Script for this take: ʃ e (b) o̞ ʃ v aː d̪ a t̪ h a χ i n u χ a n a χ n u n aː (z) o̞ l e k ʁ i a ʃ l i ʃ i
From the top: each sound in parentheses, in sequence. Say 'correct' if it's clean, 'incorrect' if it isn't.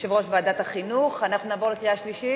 incorrect: v, incorrect: v

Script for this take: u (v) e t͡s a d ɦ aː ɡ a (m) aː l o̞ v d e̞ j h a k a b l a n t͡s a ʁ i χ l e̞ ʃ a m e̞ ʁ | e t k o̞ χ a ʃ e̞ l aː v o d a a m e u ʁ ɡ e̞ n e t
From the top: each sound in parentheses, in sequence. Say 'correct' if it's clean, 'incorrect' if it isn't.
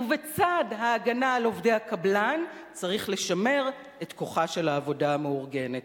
correct, incorrect: n

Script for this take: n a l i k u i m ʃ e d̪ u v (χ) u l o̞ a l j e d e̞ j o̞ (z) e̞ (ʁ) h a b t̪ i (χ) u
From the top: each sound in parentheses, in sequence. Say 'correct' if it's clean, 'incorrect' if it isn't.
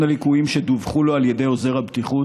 correct, correct, correct, correct

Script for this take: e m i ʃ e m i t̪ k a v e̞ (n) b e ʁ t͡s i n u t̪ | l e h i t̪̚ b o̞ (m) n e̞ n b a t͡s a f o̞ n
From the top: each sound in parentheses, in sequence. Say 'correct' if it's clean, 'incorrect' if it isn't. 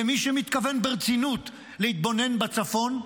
correct, incorrect: none

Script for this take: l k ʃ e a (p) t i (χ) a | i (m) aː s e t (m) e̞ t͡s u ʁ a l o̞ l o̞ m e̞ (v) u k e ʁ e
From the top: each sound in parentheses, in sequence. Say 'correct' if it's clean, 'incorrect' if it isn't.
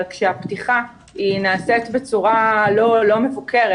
correct, correct, incorrect: n, incorrect: b, correct

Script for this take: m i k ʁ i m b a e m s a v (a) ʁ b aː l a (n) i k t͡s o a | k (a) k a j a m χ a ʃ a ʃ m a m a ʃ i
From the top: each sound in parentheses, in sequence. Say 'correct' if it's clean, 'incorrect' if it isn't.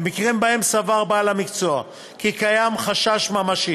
correct, incorrect: m, incorrect: i

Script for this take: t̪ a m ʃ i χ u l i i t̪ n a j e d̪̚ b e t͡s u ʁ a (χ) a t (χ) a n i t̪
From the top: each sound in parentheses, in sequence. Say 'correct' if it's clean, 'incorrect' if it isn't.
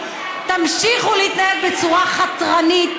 correct, incorrect: ʁ

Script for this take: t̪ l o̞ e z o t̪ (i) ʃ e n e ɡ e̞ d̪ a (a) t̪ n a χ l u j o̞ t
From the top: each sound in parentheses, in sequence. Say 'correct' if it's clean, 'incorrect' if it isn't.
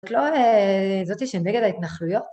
correct, incorrect: i

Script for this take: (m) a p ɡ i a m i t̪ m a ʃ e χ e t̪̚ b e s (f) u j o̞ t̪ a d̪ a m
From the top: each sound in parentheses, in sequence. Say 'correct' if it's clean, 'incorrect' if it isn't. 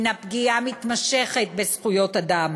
incorrect: n, incorrect: χ

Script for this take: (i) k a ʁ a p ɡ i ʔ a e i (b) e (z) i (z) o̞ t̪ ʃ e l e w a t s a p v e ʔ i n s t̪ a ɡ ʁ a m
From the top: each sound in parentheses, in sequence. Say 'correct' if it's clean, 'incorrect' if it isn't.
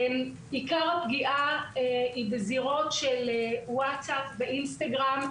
correct, correct, correct, incorrect: ʁ

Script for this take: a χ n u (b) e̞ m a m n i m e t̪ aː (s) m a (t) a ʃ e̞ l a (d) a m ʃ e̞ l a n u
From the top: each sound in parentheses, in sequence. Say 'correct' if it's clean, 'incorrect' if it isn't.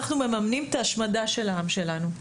incorrect: m, incorrect: ʃ, incorrect: d, incorrect: none

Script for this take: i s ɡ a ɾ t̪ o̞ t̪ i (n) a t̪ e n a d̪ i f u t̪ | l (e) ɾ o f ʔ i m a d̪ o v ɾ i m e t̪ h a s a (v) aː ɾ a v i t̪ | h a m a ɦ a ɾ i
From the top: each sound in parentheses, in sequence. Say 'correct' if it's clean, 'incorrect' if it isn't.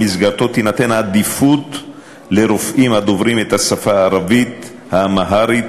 correct, correct, incorrect: f

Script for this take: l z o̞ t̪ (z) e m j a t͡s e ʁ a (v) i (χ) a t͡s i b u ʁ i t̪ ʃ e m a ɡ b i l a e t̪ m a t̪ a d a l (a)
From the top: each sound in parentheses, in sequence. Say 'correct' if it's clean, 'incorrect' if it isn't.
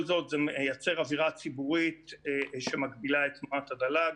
correct, correct, incorrect: ʁ, correct

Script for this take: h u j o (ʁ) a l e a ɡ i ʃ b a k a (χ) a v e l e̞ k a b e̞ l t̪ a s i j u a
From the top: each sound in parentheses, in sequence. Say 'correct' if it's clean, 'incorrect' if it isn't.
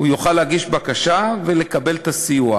incorrect: χ, incorrect: ʃ

